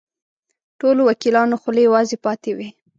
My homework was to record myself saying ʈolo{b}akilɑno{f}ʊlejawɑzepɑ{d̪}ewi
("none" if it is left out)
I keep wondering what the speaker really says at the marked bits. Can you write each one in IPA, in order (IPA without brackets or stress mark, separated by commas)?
w, x, t̪